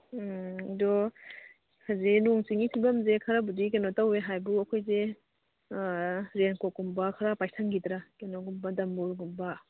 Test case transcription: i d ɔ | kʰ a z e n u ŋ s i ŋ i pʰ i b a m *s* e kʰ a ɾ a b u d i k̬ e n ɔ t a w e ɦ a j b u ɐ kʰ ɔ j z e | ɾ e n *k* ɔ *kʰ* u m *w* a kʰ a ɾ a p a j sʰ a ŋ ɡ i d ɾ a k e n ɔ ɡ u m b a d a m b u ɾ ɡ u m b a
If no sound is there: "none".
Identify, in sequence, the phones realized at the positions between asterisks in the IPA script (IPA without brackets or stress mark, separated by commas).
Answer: z, k, k, b